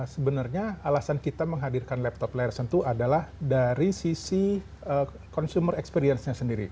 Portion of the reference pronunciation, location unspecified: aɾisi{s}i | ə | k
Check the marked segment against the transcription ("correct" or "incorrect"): correct